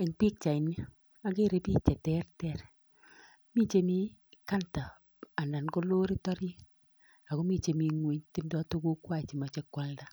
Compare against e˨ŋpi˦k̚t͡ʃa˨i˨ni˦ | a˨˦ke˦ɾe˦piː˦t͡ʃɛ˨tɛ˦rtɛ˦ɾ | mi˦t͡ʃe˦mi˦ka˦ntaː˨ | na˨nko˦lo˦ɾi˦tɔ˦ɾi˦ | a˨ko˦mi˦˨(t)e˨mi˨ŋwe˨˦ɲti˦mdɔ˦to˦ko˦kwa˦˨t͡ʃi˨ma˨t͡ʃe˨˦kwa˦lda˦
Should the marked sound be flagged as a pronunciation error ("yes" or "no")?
yes